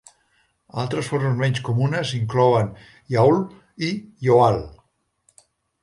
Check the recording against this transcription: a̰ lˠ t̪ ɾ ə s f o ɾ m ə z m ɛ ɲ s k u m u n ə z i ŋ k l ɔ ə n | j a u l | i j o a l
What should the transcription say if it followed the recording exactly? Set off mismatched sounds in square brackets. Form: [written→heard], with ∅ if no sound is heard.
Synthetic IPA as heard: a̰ lˠ t̪ ɾ ə s f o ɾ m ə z m ɛ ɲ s k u m u n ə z i ŋ k l ɔ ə n | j a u l | i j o a l